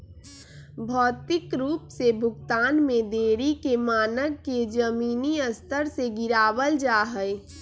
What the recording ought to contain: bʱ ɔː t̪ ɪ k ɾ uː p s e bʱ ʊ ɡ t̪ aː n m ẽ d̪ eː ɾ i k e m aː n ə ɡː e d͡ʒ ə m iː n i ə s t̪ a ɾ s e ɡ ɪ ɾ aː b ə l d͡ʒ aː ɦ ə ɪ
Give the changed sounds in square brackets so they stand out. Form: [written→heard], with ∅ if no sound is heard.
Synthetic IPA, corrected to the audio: bʱ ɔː t̪ ɪ k ɾ uː p s e bʱ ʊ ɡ t̪ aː n m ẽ d̪ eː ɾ i k e m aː n ə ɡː e d͡ʒ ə m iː n i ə s t̪ [a→ə] ɾ s e ɡ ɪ ɾ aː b ə l d͡ʒ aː ɦ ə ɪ